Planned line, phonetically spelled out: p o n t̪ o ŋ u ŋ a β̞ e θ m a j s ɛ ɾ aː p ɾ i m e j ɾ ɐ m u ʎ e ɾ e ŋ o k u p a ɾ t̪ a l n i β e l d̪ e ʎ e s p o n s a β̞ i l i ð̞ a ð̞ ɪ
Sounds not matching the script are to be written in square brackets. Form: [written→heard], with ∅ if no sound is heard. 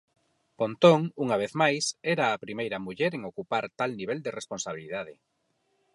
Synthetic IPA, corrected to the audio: p o n t̪ o ŋ u ŋ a β̞ e θ m a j s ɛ ɾ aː p ɾ i m e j ɾ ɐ m u ʎ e ɾ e ŋ o k u p a ɾ t̪ a l n i β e l d̪ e [ʎ→r] e s p o n s a β̞ i l i ð̞ a ð̞ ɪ